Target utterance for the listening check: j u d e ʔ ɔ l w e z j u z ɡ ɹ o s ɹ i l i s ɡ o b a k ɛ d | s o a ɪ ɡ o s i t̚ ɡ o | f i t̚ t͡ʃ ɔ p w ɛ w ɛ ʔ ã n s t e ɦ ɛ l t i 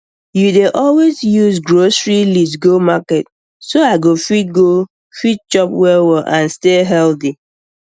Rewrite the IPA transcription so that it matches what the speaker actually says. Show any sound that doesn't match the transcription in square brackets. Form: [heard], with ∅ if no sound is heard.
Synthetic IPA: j u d e ʔ ɔ l w e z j u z ɡ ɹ o s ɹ i l i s ɡ o [m] a k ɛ [t] | s o a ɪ ɡ o [f] i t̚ ɡ o | f i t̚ t͡ʃ ɔ p w ɛ w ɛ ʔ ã n s t e ɦ ɛ l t i